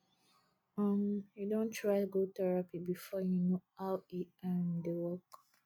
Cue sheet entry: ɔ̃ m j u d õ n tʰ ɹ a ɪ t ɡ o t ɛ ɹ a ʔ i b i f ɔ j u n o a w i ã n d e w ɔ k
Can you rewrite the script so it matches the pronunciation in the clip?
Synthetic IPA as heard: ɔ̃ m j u d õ n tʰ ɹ a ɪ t ɡ o t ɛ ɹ a p i b i f ɔ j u n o a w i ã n d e w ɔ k